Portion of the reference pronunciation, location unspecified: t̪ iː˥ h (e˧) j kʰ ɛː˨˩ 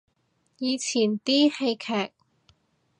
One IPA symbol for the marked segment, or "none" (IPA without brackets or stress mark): e˧